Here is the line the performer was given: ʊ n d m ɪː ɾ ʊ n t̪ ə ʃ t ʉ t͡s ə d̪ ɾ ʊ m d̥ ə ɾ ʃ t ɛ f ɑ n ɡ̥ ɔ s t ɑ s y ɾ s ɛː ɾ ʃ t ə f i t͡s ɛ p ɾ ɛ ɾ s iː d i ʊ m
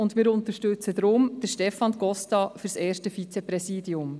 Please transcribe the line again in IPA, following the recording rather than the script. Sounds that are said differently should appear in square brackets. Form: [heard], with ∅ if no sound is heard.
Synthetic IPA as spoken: ʊ n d m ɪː ɾ ʊ n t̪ ə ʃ t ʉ t͡s ə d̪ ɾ ʊ m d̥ ə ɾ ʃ t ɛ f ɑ n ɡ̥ ɔ s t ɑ [f] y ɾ s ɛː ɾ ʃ t ə f i t͡s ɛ p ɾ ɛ [∅] s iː d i ʊ m